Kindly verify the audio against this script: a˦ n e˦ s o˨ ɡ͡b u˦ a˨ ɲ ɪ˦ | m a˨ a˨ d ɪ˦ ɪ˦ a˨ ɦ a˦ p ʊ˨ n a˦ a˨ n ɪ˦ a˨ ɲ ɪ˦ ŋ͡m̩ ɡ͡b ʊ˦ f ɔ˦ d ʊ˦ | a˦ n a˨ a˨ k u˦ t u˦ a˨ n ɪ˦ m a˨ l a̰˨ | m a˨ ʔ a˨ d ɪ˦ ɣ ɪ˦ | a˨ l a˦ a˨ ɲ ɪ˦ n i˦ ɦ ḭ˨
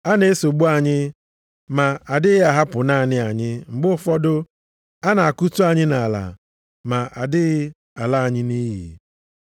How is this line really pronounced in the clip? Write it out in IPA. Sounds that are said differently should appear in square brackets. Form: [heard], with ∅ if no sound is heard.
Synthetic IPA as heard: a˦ n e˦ s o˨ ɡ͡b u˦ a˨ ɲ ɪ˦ | m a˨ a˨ d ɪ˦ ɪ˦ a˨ ɦ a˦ p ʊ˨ n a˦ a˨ n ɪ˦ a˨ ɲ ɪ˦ ŋ͡m̩ ɡ͡b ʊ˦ f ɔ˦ d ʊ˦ | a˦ n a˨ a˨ k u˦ t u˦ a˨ [ɲ] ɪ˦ [n] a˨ l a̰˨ | m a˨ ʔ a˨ d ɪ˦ ɣ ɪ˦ | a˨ l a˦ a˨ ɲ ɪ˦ n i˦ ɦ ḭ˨